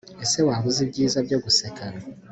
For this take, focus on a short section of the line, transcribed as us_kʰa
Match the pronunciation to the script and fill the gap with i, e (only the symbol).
e